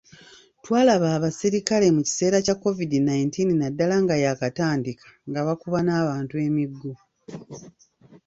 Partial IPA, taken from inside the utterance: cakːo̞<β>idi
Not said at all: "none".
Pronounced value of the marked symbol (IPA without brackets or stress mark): v